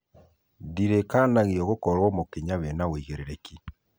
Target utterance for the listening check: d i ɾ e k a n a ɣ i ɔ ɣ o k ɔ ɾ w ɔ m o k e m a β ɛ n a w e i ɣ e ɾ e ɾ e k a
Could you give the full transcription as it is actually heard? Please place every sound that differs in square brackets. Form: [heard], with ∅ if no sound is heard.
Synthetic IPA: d i ɾ e k a n a ɣ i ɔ ɣ o k ɔ ɾ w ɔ m o k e [ɲ] a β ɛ n a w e i ɣ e ɾ e ɾ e k [i]

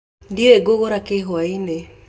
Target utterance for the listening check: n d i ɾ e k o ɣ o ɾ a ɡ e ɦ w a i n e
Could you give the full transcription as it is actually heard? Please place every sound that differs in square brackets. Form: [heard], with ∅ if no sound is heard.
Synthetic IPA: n d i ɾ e [ɡ] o ɣ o ɾ a [k] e ɦ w a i n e

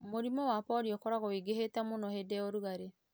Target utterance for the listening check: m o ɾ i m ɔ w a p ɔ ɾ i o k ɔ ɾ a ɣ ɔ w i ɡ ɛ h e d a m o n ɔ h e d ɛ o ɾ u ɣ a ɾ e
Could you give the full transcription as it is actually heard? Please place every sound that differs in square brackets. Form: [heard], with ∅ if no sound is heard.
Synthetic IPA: m o ɾ i m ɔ w a p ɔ ɾ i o k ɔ ɾ a ɣ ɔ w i ɡ [e] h e [t] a m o n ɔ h e d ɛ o ɾ u ɣ a ɾ e

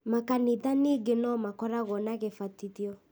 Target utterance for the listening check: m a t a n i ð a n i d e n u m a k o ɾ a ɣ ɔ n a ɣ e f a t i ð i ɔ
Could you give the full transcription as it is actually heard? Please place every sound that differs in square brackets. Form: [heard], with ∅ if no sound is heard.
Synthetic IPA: m a [k] a n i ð a n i [ɡ] e n [ɔ] m a k [ɔ] ɾ a ɣ ɔ n a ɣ e f a t i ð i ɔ

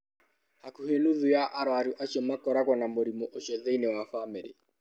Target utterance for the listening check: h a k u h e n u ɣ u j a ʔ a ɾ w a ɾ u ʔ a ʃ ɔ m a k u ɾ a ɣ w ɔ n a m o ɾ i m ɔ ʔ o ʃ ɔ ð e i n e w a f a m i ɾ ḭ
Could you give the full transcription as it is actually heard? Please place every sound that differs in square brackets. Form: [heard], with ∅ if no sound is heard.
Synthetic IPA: h a k u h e n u [ð] u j a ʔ a ɾ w a ɾ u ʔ a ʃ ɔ m a k [ɔ] ɾ a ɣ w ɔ n a m o ɾ i m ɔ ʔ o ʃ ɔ ð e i n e w a f a m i ɾ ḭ

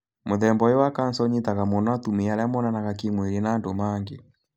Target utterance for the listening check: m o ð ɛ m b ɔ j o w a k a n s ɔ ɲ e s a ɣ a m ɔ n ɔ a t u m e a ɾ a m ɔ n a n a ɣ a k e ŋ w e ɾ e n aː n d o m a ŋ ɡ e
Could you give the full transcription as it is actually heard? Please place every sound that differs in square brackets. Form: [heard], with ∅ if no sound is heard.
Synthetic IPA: m o ð ɛ m b ɔ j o w a k a n s ɔ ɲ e [t] a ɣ a m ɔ n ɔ a t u m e a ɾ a m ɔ n a n a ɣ a k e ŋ w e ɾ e n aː n d o m a ŋ ɡ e

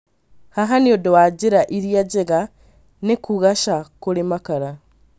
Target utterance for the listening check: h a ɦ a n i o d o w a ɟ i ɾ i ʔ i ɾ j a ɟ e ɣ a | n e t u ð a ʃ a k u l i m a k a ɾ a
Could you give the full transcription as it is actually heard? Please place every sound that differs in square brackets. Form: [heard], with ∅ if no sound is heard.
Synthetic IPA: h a ɦ a n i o d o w a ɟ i ɾ [a] ʔ i ɾ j a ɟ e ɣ a | n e [k] u [ɣ] a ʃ a k u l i m a k a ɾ a

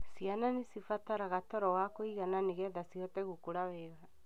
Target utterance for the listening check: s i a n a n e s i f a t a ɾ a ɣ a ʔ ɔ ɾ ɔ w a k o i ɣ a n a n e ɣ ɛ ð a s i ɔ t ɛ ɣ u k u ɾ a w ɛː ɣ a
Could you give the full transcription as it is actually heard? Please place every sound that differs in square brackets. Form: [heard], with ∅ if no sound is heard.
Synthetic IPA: s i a n a n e s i f a t a ɾ a ɣ a [t] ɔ ɾ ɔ w a k o i ɣ a n a n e ɣ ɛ ð a s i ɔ t ɛ ɣ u k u ɾ a w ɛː ɣ a

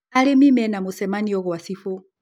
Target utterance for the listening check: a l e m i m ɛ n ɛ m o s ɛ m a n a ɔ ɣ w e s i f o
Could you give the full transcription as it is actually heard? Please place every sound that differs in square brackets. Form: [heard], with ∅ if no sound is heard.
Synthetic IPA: a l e m i m ɛ n [a] m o s ɛ m a n [i] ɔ ɣ w [a] s i f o

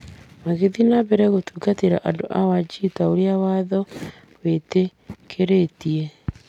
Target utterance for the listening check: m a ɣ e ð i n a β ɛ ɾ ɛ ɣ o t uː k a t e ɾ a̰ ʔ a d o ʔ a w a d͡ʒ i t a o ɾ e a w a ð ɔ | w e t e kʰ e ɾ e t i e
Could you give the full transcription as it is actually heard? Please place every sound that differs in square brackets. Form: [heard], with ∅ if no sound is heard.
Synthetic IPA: m a ɣ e ð i n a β ɛ ɾ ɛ ɣ o t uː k a t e ɾ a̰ ʔ a d o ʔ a w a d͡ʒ i t a o ɾ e a w a ð ɔ | w e t e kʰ e ɾ e t i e

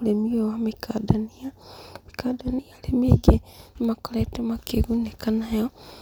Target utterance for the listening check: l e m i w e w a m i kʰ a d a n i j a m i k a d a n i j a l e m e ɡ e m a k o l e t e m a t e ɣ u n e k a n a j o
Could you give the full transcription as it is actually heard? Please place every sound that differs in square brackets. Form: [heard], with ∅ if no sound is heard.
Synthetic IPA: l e m i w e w a m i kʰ a d a n i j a m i k a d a n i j a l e m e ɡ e m a k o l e t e m a [k] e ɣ u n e k a n a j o

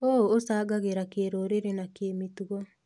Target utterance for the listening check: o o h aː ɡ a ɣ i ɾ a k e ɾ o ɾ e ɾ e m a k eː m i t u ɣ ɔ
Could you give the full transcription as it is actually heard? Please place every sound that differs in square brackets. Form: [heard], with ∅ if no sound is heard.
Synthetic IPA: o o [s] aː ɡ a ɣ [e] ɾ a k e ɾ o ɾ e ɾ e [n] a k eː m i t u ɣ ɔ

